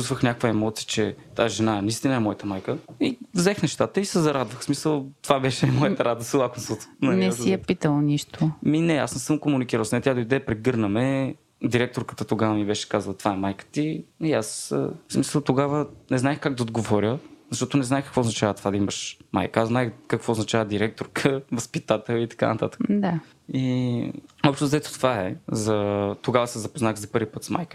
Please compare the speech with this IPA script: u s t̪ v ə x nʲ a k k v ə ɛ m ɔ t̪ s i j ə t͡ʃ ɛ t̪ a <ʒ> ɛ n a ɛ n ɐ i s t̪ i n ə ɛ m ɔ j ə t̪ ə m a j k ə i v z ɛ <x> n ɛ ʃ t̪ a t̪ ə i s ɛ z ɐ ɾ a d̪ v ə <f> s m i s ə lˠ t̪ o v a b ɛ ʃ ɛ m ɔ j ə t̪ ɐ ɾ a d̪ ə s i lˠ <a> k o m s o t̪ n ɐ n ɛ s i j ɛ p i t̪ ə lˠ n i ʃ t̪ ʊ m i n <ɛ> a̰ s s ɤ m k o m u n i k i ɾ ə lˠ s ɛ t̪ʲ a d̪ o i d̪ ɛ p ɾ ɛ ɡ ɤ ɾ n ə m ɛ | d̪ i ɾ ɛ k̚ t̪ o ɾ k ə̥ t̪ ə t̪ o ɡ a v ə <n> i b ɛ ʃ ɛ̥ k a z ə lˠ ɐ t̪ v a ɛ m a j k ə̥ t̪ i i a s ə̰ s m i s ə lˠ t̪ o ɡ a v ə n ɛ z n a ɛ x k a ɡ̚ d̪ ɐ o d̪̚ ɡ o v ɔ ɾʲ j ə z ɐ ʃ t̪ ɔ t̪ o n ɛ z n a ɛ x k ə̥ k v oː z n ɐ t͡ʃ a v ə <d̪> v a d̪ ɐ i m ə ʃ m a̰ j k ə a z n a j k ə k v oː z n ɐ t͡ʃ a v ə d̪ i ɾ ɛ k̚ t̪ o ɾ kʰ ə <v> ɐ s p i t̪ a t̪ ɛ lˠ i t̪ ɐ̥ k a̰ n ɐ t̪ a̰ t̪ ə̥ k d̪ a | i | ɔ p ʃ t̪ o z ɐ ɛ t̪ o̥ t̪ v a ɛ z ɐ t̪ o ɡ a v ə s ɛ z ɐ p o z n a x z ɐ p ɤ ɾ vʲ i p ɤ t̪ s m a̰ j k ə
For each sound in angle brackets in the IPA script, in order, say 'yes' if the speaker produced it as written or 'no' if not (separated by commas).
yes, yes, no, yes, yes, no, no, yes